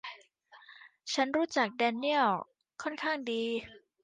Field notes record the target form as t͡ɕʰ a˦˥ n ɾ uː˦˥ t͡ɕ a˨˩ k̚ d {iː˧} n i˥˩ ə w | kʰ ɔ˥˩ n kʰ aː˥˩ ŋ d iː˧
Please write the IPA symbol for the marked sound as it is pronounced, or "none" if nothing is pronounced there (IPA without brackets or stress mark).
ɛː˧